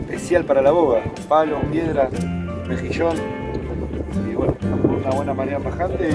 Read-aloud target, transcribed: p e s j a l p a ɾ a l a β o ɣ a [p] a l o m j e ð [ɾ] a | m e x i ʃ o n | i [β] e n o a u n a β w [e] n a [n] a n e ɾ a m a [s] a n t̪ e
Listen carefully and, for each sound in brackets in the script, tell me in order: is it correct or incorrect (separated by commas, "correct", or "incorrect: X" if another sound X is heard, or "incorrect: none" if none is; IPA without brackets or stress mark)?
correct, correct, incorrect: w, correct, incorrect: m, incorrect: x